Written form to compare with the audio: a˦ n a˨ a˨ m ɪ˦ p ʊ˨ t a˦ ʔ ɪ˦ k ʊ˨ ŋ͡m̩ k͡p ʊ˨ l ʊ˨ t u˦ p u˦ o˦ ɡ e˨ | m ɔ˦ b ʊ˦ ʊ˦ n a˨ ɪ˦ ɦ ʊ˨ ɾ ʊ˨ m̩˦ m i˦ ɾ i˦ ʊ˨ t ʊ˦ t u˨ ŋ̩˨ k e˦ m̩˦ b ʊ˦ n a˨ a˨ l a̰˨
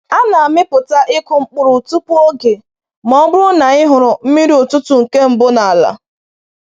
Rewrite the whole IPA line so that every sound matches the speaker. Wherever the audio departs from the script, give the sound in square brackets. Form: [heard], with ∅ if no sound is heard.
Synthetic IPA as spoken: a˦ n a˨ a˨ m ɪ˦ p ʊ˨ t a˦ ʔ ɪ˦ k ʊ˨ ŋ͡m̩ k͡p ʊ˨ [ɾ] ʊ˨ t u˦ p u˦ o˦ ɡ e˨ | m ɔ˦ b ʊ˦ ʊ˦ n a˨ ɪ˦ ɦ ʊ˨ ɾ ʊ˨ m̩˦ m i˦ ɾ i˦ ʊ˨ t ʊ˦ t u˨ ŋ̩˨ k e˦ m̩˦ b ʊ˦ n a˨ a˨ l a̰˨